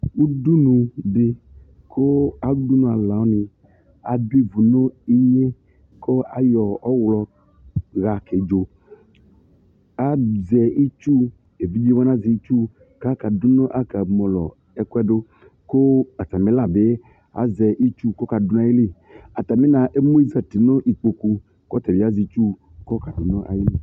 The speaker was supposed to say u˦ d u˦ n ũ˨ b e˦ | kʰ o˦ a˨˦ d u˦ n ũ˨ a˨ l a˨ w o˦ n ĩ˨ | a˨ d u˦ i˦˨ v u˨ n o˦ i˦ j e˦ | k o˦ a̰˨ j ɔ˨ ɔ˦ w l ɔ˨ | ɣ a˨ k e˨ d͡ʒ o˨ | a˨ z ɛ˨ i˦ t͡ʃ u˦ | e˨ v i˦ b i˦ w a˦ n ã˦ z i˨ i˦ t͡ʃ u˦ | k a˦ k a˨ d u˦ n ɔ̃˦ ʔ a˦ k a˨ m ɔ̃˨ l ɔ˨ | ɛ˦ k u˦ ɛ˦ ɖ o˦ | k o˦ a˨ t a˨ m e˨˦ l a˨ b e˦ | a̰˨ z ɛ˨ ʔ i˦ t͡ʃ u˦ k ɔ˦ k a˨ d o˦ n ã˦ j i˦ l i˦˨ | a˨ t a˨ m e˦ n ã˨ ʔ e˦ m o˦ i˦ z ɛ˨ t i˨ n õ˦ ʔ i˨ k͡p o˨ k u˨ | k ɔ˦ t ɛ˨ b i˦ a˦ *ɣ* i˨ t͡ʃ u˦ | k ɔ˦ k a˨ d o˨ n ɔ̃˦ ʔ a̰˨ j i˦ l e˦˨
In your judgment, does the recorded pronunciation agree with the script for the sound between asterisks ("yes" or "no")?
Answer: no